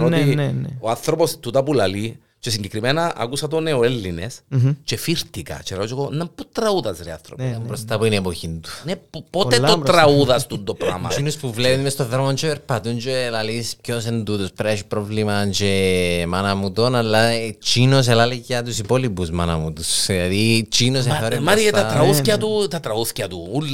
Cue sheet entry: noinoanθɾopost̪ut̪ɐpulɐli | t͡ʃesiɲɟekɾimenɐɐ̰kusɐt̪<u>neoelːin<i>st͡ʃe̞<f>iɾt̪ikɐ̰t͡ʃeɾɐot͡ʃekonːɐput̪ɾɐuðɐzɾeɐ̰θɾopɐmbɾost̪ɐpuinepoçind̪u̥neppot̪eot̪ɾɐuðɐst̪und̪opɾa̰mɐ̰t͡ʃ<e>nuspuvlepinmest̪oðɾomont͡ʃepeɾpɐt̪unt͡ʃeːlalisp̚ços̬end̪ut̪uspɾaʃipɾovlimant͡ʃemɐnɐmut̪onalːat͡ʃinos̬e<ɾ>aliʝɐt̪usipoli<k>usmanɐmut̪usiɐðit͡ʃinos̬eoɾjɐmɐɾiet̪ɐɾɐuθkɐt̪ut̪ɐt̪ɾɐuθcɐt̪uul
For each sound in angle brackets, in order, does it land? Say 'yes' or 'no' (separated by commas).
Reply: no, no, yes, no, no, no